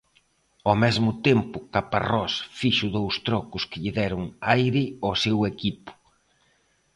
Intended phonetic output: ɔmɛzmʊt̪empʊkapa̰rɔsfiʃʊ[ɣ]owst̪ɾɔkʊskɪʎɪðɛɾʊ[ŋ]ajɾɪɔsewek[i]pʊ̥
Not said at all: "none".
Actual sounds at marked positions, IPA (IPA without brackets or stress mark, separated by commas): ð, ŋ, i